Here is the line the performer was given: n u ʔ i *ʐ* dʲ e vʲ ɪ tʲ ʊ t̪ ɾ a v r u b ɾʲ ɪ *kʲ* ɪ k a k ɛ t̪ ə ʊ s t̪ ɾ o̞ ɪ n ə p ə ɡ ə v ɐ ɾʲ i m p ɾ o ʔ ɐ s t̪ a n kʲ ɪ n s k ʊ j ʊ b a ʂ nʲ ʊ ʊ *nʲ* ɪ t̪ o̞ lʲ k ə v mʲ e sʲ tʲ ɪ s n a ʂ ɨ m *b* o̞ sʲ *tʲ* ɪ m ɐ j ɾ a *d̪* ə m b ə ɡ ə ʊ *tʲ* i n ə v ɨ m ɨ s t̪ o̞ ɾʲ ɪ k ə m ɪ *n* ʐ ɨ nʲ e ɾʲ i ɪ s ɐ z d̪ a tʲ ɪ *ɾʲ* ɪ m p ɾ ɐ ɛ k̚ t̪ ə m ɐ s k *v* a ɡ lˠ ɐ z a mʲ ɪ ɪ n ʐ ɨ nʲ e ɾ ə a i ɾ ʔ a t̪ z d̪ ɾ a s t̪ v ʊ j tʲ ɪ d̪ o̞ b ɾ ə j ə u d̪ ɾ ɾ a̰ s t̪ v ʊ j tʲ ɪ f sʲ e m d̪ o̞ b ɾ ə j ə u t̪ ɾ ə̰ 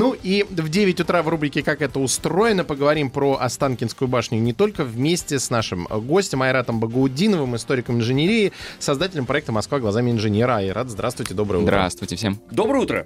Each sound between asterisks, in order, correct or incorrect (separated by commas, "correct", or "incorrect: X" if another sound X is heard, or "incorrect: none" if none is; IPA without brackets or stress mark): incorrect: v, correct, correct, incorrect: ɡ, correct, incorrect: t̪, incorrect: dʲ, correct, incorrect: lʲ, correct